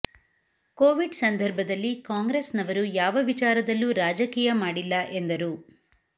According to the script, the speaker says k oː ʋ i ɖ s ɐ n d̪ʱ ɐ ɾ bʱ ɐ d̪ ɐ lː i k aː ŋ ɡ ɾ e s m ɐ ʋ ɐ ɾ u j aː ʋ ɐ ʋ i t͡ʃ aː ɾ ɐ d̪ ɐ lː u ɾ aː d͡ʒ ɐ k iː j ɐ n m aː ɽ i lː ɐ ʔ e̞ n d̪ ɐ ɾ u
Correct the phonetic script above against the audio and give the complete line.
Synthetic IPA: k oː ʋ i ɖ s ɐ n d̪ʱ ɐ ɾ bʱ ɐ d̪ ɐ lː i k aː ŋ ɡ ɾ e s n ɐ ʋ ɐ ɾ u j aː ʋ ɐ ʋ i t͡ʃ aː ɾ ɐ d̪ ɐ lː u ɾ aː d͡ʒ ɐ k iː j ɐ m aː ɽ i lː ɐ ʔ e̞ n d̪ ɐ ɾ u